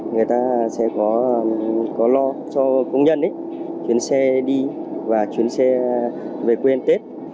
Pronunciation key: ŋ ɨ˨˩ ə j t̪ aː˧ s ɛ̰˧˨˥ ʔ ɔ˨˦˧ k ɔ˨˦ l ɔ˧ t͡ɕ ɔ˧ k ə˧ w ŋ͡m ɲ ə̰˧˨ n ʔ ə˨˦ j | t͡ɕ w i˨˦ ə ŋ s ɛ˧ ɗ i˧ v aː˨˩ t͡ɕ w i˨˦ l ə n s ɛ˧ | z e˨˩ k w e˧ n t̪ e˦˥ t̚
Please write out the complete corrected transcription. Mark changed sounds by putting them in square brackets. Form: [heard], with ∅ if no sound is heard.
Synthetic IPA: ŋ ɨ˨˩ ə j t̪ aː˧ s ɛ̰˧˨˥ [k] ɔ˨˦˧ k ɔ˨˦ l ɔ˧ t͡ɕ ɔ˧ k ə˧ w ŋ͡m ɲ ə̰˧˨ n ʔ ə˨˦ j | t͡ɕ w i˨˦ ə [n] s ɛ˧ ɗ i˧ v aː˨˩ t͡ɕ w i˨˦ [∅] ə n s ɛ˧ | [v] e˨˩ k w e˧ n t̪ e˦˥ t̚